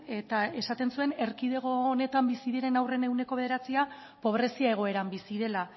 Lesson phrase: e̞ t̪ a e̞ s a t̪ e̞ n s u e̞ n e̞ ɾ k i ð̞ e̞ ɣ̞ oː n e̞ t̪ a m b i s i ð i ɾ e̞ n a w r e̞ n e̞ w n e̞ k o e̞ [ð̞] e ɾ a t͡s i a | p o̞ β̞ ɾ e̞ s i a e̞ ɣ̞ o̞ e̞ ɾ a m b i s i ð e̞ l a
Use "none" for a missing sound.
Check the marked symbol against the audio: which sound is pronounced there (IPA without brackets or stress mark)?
ð̞